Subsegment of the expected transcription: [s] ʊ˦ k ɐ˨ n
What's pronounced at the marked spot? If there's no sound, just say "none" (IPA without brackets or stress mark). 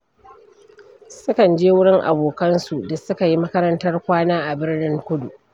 s